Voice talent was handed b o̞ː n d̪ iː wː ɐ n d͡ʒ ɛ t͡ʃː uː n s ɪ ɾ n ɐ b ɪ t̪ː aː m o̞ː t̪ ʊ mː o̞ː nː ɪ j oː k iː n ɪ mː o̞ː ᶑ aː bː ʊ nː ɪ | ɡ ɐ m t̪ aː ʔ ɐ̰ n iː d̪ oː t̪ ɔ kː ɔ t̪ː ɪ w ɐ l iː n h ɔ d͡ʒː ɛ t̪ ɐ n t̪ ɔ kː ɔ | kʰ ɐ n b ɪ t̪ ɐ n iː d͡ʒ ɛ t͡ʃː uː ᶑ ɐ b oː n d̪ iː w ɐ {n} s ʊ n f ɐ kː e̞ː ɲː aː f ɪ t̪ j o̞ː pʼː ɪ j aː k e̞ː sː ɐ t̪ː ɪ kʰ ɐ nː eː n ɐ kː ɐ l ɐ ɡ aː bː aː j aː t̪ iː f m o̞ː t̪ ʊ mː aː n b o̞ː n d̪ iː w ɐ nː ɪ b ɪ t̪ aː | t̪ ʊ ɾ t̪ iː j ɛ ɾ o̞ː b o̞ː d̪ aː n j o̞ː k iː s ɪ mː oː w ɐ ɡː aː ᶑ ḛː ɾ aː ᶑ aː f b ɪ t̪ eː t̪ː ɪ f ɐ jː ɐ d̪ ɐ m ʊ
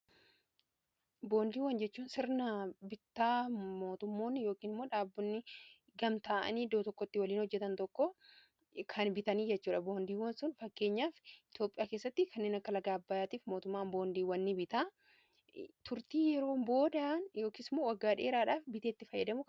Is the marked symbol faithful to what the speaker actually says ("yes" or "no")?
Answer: yes